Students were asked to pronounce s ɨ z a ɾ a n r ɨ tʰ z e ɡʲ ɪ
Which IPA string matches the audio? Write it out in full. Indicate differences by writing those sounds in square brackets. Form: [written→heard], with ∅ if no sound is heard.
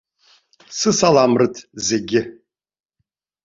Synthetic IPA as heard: s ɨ [z→s] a [ɾ→l] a [n→m] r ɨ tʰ z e ɡʲ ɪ